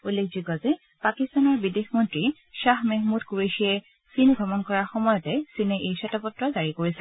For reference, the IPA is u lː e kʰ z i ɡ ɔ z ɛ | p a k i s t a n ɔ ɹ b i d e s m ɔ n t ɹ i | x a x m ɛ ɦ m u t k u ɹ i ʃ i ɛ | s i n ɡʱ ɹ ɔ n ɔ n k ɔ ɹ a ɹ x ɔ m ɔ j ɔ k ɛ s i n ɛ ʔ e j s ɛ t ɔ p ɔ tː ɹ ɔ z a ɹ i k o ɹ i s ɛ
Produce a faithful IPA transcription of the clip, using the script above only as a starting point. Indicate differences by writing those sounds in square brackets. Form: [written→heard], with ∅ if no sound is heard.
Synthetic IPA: u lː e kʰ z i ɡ ɔ z ɛ | p a k i s t a n ɔ ɹ b i d e [s→x] m ɔ n t ɹ i | [x→ʃ] a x m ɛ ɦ m u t k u ɹ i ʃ i ɛ | s i n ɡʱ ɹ ɔ [n→m] ɔ n k ɔ ɹ a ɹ x ɔ m ɔ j ɔ [k→t] ɛ s i n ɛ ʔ e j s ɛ t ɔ p ɔ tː ɹ ɔ z a ɹ i k o ɹ i s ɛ

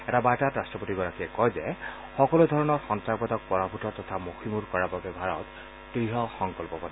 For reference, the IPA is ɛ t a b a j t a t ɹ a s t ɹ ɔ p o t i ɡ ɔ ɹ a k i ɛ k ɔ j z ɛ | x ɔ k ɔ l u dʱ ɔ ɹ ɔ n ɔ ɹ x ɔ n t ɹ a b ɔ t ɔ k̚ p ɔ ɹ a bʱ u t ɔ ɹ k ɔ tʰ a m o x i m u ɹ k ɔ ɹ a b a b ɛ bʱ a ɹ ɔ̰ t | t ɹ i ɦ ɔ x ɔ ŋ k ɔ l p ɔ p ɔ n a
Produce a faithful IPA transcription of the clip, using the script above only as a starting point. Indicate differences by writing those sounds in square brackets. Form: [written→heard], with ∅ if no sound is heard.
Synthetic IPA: ɛ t a b a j t a t ɹ a s t ɹ ɔ p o t i ɡ ɔ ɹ a k i ɛ k ɔ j z ɛ | x ɔ k ɔ l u dʱ ɔ ɹ ɔ n ɔ ɹ x ɔ n t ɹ a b ɔ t ɔ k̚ p ɔ ɹ a bʱ u t ɔ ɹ [k→t] ɔ tʰ a m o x i m u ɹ k ɔ ɹ a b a b ɛ bʱ a ɹ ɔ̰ t | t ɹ i ɦ ɔ x ɔ ŋ k ɔ l p ɔ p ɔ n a

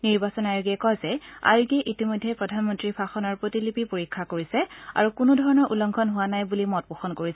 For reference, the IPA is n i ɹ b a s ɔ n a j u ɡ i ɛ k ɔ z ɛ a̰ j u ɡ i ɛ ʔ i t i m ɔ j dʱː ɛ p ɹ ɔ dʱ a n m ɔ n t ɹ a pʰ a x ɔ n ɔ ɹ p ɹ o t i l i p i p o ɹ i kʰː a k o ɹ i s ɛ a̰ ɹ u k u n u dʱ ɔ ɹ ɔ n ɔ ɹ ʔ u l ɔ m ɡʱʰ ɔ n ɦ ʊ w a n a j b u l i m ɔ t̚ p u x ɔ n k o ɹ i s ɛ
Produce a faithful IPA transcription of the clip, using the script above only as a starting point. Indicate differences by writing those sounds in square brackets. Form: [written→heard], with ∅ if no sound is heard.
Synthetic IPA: n i ɹ b a s ɔ n a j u ɡ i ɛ k ɔ z ɛ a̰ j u ɡ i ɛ ʔ i t i m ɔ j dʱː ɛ p ɹ ɔ dʱ a n m ɔ n t ɹ [a→i] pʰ a x ɔ n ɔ ɹ p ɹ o t i l i p i p o ɹ i kʰː a k o ɹ i s ɛ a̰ ɹ u k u n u dʱ ɔ ɹ ɔ n ɔ ɹ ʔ u l ɔ [m→ŋ] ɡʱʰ ɔ n ɦ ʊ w a n a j b u l i m ɔ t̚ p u x ɔ n k o ɹ i s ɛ

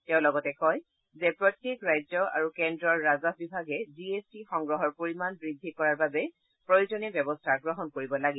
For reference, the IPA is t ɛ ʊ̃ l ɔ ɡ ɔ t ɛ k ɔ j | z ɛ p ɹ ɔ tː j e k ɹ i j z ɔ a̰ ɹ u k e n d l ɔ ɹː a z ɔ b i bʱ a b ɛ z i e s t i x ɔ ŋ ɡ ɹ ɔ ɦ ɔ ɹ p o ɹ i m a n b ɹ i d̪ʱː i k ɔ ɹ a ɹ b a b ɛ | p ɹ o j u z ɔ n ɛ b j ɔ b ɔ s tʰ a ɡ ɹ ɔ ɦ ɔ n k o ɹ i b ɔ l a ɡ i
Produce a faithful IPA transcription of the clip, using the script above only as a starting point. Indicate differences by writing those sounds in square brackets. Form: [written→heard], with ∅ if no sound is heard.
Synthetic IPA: t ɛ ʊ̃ l ɔ ɡ ɔ t ɛ k ɔ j | z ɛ p ɹ ɔ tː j e k ɹ [i→a] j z ɔ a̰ ɹ u k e n d [l→ɹ] ɔ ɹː a z ɔ b i bʱ a [b→ɡ] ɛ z i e s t i x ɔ ŋ ɡ ɹ ɔ ɦ ɔ ɹ p o ɹ i m a n b ɹ i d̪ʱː i k ɔ ɹ a ɹ b a b ɛ | p ɹ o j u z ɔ n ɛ b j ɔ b ɔ s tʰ a ɡ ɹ ɔ ɦ ɔ n k o ɹ i b ɔ l a ɡ i

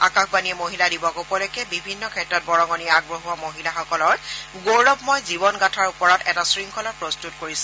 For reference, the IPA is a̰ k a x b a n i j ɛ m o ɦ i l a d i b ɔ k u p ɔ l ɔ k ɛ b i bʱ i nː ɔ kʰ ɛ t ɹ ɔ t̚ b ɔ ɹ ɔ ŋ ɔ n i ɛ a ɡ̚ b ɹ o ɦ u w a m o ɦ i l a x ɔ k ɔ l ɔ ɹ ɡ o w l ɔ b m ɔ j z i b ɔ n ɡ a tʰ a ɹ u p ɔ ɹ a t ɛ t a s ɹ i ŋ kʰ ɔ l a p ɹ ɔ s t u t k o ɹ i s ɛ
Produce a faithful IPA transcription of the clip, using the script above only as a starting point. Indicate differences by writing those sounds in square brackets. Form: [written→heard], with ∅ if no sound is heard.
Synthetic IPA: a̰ k a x b a n i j ɛ m o ɦ i l a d i b ɔ k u p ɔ l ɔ k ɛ b i bʱ i nː ɔ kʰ ɛ t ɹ ɔ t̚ b ɔ ɹ ɔ ŋ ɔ n i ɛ a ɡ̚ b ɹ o ɦ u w a m o ɦ i l a x ɔ k ɔ l ɔ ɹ ɡ o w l ɔ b m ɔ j z i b ɔ n ɡ a tʰ a ɹ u p ɔ ɹ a t ɛ t a s ɹ i ŋ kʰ ɔ l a p ɹ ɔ s t u t k o ɹ i s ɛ

